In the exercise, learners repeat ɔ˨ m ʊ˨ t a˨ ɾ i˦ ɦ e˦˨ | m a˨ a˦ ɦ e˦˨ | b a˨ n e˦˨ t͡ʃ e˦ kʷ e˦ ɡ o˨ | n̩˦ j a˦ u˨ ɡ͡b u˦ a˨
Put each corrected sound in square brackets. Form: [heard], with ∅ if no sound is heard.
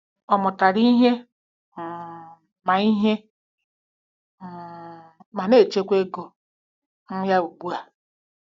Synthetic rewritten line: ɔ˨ m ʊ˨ t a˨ ɾ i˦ ɦ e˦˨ | m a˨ [i˦] ɦ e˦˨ | [m] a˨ n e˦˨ t͡ʃ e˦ kʷ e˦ ɡ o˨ | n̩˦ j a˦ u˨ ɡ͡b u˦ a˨